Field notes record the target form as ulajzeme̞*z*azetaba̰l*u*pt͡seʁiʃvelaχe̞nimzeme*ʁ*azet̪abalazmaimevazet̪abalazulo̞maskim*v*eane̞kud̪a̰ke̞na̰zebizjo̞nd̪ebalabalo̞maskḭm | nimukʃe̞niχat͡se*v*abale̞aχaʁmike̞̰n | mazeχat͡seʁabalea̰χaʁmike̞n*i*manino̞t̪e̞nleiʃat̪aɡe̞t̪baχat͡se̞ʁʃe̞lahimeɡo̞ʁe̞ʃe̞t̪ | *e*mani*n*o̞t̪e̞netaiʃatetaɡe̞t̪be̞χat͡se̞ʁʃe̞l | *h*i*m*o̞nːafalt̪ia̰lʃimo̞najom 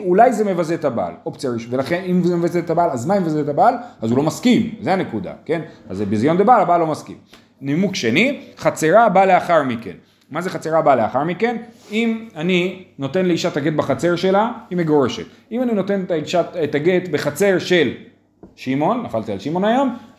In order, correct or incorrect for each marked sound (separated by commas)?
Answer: incorrect, incorrect, incorrect, incorrect, incorrect, correct, incorrect, correct, incorrect, correct